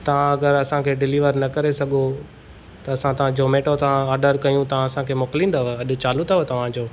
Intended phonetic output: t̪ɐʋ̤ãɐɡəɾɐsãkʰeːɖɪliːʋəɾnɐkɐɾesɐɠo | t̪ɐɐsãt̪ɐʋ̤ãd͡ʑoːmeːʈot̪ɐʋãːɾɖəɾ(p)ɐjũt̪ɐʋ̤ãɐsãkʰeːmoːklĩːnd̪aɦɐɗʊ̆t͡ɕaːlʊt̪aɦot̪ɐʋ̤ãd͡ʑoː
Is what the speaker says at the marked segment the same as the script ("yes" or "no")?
no